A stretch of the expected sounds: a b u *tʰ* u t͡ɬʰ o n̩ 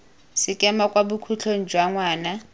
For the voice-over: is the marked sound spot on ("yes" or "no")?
no